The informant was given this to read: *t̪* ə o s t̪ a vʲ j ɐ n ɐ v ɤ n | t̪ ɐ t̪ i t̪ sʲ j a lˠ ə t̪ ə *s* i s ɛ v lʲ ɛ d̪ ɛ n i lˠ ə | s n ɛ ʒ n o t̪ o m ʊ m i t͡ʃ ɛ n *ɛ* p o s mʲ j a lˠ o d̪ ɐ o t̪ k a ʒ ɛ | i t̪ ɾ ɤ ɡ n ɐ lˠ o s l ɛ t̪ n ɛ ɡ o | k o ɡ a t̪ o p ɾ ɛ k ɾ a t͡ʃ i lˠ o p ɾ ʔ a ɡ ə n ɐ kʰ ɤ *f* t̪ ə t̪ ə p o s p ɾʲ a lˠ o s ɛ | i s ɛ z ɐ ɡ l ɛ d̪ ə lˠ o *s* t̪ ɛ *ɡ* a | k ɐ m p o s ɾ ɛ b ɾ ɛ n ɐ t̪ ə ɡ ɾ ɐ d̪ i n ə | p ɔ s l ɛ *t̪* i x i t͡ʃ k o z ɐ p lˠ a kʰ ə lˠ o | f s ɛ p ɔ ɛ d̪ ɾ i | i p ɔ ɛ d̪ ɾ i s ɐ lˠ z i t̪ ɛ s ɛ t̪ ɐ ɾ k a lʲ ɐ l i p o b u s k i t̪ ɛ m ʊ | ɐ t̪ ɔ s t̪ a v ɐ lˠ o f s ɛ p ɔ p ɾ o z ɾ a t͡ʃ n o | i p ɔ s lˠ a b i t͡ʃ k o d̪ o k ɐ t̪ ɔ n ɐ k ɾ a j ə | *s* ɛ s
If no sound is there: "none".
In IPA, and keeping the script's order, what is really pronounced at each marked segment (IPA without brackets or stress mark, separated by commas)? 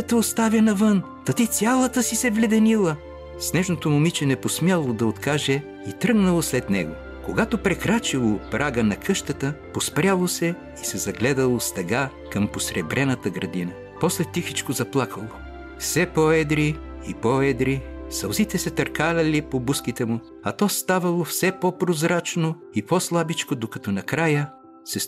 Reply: t̪, s, ɛ, ʃ, s, ɡ, t̪, s